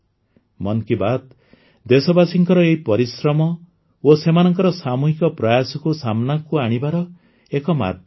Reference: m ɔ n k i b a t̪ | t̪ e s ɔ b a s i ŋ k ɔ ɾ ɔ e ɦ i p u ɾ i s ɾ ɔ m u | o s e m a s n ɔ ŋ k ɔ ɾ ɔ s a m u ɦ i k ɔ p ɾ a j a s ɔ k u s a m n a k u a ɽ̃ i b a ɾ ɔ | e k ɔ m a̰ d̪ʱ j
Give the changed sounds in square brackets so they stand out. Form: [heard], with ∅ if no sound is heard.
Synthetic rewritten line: m ɔ n k i b a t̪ | [d̪] e s ɔ b a s i ŋ k ɔ ɾ ɔ e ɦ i p [ɔ] ɾ i s ɾ ɔ m [ɔ] | o s e m a [∅] n ɔ ŋ k ɔ ɾ ɔ s a m u ɦ i k ɔ p ɾ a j a s ɔ k u s a m n a k u a ɽ̃ i b a ɾ ɔ | e k ɔ m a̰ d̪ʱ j

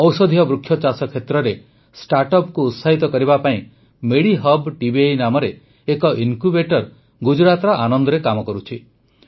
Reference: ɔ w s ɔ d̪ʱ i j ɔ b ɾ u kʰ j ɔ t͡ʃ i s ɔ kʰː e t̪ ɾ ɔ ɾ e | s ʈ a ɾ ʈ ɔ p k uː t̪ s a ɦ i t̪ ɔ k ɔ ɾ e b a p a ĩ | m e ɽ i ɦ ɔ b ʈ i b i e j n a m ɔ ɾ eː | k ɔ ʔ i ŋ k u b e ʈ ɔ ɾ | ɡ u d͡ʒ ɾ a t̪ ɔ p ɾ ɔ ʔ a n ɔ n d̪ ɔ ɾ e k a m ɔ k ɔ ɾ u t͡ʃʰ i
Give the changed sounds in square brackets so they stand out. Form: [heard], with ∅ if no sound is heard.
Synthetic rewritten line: ɔ w s ɔ d̪ʱ i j ɔ b ɾ u kʰ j ɔ t͡ʃ [a] s ɔ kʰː e t̪ ɾ ɔ ɾ e | s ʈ a ɾ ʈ ɔ p k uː t̪ s a ɦ i t̪ ɔ k ɔ ɾ [i] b a p a ĩ | m e ɽ i ɦ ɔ b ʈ i b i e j n a m ɔ ɾ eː | k ɔ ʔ i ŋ k u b e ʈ ɔ ɾ | ɡ u d͡ʒ ɾ a t̪ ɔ [∅] ɾ ɔ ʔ a n ɔ n d̪ ɔ ɾ e k a m ɔ k ɔ ɾ u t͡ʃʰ i

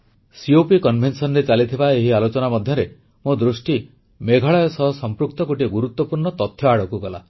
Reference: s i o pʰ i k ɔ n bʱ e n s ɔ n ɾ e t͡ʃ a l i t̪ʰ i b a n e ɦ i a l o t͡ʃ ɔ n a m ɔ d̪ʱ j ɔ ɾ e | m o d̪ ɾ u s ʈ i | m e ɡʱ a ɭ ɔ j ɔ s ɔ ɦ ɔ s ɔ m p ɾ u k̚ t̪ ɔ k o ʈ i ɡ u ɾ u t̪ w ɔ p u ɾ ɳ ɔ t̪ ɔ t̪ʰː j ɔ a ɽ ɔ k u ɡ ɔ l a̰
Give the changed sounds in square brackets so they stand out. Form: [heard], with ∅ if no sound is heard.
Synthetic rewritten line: s i o [p] i k ɔ n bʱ e n s ɔ n ɾ e t͡ʃ a l i t̪ʰ i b a [∅] e ɦ i a l o t͡ʃ ɔ n a m ɔ d̪ʱ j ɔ ɾ e | m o d̪ ɾ u s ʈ i | m e ɡʱ a ɭ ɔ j ɔ s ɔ ɦ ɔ s ɔ m p ɾ u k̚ t̪ ɔ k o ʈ i ɡ u ɾ u t̪ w ɔ p u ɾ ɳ ɔ t̪ ɔ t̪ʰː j ɔ a ɽ ɔ k u ɡ ɔ l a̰

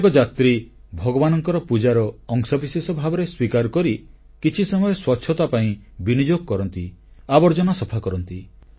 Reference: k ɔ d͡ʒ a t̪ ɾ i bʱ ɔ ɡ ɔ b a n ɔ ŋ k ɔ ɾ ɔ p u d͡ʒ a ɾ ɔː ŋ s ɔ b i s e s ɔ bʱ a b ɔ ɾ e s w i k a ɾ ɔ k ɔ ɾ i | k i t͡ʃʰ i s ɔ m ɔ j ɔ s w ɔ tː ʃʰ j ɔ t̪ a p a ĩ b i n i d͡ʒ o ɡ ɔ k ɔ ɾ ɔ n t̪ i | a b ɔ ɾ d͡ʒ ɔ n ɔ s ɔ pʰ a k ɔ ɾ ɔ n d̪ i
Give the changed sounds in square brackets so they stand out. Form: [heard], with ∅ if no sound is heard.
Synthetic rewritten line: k ɔ d͡ʒ a t̪ ɾ i bʱ ɔ ɡ ɔ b a n ɔ ŋ k ɔ ɾ ɔ p u d͡ʒ a ɾ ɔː ŋ s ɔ b i s e s ɔ bʱ a b ɔ ɾ e s w i k a ɾ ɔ k ɔ ɾ i | k i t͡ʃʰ i s ɔ m ɔ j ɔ s w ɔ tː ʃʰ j ɔ t̪ a p a ĩ b i n i d͡ʒ o ɡ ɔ k ɔ ɾ ɔ n t̪ i | a b ɔ ɾ d͡ʒ ɔ n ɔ s ɔ pʰ a k ɔ ɾ ɔ n [t̪] i

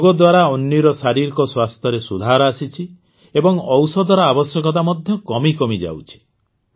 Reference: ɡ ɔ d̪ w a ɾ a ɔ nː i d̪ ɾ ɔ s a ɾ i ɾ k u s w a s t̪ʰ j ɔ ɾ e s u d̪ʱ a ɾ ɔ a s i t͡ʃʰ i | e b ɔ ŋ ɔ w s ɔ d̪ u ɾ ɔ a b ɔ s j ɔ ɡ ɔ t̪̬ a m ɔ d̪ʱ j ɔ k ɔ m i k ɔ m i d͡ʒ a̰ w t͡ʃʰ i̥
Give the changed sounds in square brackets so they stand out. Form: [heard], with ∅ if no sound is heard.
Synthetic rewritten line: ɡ ɔ d̪ w a ɾ a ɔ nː i [∅] ɾ ɔ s a ɾ i ɾ k [ɔ] s w a s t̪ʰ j ɔ ɾ e s u d̪ʱ a ɾ ɔ a s i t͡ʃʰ i | e b ɔ ŋ ɔ w s ɔ d̪ [ɔ] ɾ ɔ a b ɔ s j ɔ [k] ɔ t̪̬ a m ɔ d̪ʱ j ɔ k ɔ m i k ɔ m i d͡ʒ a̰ w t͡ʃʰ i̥

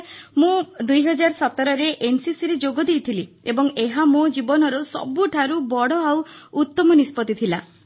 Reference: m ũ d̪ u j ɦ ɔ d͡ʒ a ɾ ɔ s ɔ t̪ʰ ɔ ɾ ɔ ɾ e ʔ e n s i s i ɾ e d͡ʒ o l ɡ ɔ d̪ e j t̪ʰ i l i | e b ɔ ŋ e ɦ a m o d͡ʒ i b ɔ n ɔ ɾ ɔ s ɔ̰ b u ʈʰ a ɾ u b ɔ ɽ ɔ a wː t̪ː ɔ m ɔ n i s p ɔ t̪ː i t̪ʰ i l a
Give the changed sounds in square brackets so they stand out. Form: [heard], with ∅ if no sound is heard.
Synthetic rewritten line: m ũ d̪ u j ɦ ɔ d͡ʒ a ɾ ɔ s ɔ [t̪] ɔ ɾ ɔ ɾ e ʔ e n s i s i ɾ e d͡ʒ o [∅] ɡ ɔ d̪ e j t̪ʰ i l i | e b ɔ ŋ e ɦ a m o d͡ʒ i b ɔ n ɔ ɾ ɔ s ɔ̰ b u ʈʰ a ɾ u b ɔ ɽ ɔ a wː t̪ː ɔ m ɔ n i s p ɔ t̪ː i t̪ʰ i l a

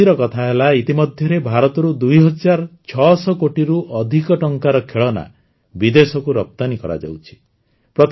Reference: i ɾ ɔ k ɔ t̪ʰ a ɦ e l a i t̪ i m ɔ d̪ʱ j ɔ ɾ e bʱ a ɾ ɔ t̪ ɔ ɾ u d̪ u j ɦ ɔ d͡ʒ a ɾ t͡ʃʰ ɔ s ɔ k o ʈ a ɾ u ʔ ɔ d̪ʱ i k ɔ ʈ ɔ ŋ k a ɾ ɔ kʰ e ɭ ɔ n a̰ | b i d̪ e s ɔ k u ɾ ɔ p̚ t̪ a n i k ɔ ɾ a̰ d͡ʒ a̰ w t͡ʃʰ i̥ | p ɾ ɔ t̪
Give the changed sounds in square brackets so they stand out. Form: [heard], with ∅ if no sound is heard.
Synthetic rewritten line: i ɾ ɔ k ɔ t̪ʰ a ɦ e l a i t̪ i m ɔ d̪ʱ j ɔ ɾ e bʱ a ɾ ɔ t̪ ɔ ɾ u d̪ u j ɦ ɔ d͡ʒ a ɾ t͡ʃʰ ɔ s ɔ k o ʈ [i] ɾ u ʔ ɔ d̪ʱ i k ɔ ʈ ɔ ŋ k a ɾ ɔ kʰ e ɭ ɔ n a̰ | b i d̪ e s ɔ k u ɾ ɔ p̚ t̪ a n i k ɔ ɾ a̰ d͡ʒ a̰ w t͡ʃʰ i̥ | p ɾ ɔ t̪

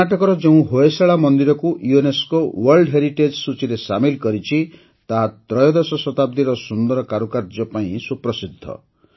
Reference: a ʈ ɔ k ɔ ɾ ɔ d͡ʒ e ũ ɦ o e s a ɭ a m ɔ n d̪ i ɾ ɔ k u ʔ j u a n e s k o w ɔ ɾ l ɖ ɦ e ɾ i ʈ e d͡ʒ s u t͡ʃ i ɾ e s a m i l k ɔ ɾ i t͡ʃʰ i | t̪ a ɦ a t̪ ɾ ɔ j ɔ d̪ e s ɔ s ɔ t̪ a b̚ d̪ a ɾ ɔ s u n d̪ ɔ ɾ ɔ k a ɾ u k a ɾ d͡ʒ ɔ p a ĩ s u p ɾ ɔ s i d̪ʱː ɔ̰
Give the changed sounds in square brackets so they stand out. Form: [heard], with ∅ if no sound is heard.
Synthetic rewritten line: a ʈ ɔ k ɔ ɾ ɔ d͡ʒ e ũ ɦ o e s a ɭ a m ɔ n d̪ i ɾ ɔ k u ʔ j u [e] n e s k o w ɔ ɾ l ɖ ɦ e ɾ i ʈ e d͡ʒ s u t͡ʃ i ɾ e s a m i l k ɔ ɾ i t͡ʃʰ i | t̪ a ɦ a t̪ ɾ ɔ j ɔ d̪ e s ɔ s ɔ t̪ a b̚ d̪ [i] ɾ ɔ s u n d̪ ɔ ɾ ɔ k a ɾ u k a ɾ d͡ʒ ɔ p a ĩ s u p ɾ ɔ s i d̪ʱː ɔ̰

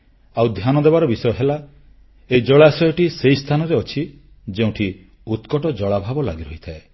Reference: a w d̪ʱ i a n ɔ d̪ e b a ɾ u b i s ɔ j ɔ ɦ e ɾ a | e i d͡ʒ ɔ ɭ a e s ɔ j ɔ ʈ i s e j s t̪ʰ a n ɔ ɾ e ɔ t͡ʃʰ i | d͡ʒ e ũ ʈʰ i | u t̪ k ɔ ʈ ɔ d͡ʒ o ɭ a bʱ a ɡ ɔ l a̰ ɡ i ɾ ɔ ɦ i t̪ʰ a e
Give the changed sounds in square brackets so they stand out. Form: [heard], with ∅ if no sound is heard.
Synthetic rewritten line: a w d̪ʱ [j] a n ɔ d̪ e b a ɾ [ɔ] b i s ɔ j ɔ ɦ e [l] a | e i d͡ʒ ɔ ɭ a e s ɔ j ɔ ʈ i s e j s t̪ʰ a n ɔ ɾ e ɔ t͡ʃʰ i | d͡ʒ e ũ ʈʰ i | u t̪ k ɔ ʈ ɔ d͡ʒ [ɔ] ɭ a bʱ a [b] ɔ l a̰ ɡ i ɾ ɔ ɦ i t̪ʰ a e

